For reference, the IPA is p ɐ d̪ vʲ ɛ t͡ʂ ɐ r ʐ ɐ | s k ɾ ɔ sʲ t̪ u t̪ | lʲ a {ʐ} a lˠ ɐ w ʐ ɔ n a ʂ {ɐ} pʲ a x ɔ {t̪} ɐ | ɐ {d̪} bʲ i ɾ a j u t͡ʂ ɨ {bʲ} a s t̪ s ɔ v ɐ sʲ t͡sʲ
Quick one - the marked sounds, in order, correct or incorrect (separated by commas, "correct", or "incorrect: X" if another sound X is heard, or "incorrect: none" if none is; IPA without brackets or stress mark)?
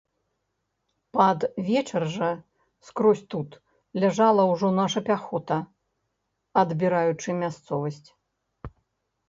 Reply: correct, correct, correct, correct, incorrect: mʲ